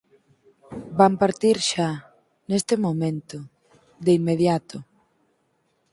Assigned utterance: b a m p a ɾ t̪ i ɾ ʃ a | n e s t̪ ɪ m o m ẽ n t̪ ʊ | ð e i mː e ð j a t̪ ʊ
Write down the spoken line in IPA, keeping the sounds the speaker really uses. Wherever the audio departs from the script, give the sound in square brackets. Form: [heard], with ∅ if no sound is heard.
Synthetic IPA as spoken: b a m p a ɾ t̪ i ɾ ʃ a | n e s t̪ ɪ m o m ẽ n t̪ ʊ | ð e i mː e ð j a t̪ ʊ